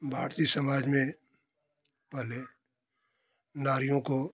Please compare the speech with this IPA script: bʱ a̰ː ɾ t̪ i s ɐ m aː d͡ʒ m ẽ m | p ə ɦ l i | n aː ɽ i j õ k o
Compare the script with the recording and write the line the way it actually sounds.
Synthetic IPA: bʱ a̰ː ɾ t̪ i s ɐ m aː d͡ʒ m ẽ | p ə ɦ l e | n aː ɾ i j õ k o